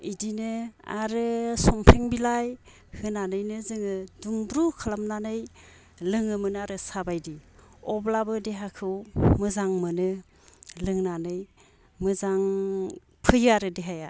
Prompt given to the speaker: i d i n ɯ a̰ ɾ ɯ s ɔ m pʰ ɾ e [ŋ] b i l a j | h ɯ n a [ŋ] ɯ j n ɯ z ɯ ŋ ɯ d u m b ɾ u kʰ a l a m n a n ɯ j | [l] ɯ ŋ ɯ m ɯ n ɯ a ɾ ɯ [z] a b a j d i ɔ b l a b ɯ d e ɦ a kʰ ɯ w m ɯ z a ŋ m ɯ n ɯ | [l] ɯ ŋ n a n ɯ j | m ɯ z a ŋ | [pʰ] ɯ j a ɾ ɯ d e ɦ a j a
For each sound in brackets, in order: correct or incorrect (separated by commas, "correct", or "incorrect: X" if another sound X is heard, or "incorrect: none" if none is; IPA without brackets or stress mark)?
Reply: correct, incorrect: n, correct, incorrect: s, correct, correct